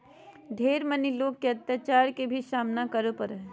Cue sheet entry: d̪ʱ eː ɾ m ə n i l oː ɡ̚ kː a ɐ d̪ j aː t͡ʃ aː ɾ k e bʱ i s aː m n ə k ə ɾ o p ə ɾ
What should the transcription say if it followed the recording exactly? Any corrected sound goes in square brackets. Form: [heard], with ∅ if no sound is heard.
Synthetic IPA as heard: d̪ʱ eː ɾ m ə n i l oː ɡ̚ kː [e] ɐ [t̪] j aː t͡ʃ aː ɾ k e bʱ i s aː m n [a] k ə ɾ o p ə ɾ